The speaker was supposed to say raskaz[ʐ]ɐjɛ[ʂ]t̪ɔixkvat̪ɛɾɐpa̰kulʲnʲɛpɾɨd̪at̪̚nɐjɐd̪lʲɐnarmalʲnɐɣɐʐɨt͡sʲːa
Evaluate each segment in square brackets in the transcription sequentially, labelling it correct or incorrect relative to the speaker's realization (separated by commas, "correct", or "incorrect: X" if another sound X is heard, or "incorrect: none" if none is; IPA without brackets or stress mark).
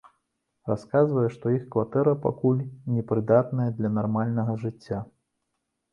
incorrect: v, correct